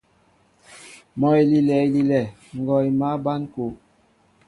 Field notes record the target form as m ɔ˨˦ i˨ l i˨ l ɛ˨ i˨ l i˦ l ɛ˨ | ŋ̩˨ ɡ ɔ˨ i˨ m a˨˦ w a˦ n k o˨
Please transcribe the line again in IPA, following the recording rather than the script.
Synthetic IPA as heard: m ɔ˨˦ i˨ l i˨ l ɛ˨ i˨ l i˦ l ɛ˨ | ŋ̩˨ ɡ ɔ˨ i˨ m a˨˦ b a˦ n k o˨